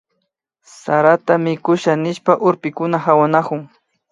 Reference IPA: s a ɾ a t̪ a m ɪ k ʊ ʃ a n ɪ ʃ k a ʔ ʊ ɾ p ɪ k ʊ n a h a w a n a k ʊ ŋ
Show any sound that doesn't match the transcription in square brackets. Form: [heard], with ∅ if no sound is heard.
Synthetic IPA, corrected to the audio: s a ɾ a t̪ a m ɪ k ʊ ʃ a n ɪ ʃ [p] a ʔ ʊ ɾ p ɪ k ʊ n a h a w a n a k ʊ ŋ